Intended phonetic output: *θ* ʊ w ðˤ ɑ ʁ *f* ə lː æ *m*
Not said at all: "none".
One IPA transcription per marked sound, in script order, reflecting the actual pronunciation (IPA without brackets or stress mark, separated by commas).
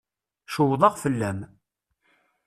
ʃ, f, m